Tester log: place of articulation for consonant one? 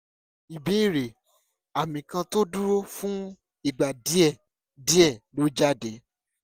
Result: labial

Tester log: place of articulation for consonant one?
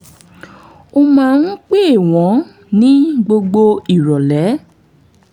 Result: labial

